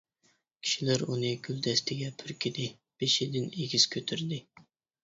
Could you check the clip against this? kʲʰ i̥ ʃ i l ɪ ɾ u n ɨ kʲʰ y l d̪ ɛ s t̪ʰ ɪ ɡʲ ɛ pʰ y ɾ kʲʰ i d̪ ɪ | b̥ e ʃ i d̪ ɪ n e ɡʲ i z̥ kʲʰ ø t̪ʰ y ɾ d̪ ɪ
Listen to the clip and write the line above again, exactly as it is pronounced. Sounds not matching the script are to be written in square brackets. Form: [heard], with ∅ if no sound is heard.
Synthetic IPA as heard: kʲʰ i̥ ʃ i l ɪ ɾ u n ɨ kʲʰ y l d̪ ɛ s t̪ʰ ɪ ɡʲ ɛ pʰ y ɾ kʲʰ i d̪ ɪ | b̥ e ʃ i d̪ ɪ n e ɡʲ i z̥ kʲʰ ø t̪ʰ y ɾ d̪ ɪ

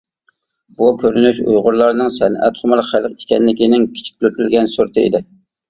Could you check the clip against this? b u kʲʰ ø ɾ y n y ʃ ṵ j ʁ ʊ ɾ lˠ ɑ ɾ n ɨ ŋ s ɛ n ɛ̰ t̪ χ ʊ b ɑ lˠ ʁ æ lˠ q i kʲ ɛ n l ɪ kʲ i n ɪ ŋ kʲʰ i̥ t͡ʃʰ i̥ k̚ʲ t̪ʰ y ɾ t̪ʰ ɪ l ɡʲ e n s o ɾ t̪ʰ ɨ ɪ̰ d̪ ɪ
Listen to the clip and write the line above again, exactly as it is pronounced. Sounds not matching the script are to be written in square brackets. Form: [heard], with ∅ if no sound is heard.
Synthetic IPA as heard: b u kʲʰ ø ɾ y n y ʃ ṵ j ʁ ʊ ɾ lˠ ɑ ɾ n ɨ ŋ s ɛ n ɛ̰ t̪ χ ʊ [m] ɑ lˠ [χ] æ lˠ q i kʲ ɛ n l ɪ kʲ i n ɪ ŋ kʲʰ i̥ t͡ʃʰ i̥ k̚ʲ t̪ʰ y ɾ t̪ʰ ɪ l ɡʲ [ɛ] n s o ɾ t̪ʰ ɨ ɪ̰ d̪ ɪ

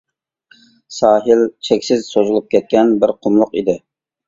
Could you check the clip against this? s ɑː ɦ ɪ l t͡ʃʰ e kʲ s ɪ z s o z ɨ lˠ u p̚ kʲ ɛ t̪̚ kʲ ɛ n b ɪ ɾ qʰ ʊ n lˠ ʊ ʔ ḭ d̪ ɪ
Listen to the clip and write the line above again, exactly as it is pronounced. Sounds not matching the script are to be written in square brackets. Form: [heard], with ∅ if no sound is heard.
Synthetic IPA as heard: s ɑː ɦ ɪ l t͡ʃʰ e kʲ s ɪ z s o z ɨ lˠ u p̚ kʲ ɛ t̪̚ kʲ ɛ n b ɪ ɾ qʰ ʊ [m] lˠ ʊ [q] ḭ d̪ ɪ

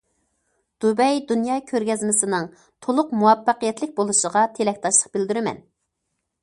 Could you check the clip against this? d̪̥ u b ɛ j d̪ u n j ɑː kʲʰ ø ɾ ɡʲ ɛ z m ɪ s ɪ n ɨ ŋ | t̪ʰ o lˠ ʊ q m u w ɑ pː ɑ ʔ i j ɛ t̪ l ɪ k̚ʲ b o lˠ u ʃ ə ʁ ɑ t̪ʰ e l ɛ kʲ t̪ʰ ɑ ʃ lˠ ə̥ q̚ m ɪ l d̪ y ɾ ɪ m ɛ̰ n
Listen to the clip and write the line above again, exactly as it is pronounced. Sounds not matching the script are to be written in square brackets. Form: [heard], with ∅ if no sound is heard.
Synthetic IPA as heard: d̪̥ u b ɛ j d̪ u n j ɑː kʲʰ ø ɾ ɡʲ ɛ z m ɪ s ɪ n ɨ ŋ | t̪ʰ o lˠ ʊ q m u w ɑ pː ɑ [q] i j ɛ t̪ l ɪ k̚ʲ b o lˠ u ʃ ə ʁ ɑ t̪ʰ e l ɛ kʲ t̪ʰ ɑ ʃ lˠ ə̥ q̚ [b] ɪ l d̪ y ɾ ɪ m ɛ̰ n

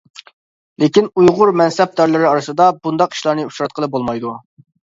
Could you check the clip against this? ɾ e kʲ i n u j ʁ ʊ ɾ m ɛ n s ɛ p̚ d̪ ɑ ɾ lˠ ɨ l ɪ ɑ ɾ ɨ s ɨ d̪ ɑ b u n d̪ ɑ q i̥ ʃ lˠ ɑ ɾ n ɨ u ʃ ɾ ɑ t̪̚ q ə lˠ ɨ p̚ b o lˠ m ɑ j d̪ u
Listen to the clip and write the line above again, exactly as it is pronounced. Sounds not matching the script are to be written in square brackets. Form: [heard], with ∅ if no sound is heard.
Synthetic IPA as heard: [l] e kʲ i n u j ʁ ʊ ɾ m ɛ n s ɛ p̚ d̪ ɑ ɾ lˠ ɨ [ɾ] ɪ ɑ ɾ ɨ s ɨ d̪ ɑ b u n d̪ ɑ q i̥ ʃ lˠ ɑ ɾ n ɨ u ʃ ɾ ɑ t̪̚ q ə lˠ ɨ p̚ b o lˠ m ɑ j d̪ u

